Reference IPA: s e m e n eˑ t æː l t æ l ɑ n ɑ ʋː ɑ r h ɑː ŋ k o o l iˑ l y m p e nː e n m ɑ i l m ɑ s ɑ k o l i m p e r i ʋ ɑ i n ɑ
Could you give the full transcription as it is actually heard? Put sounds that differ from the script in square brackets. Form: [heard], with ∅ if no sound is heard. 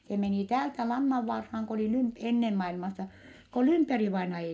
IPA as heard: s e m e n [iˑ] t æː l t æ l ɑ [nː] ɑ ʋː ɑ r h ɑː ŋ k o o l iˑ l y m p e nː e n m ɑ i l m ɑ s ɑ k o l [y] m p e r i ʋ ɑ i n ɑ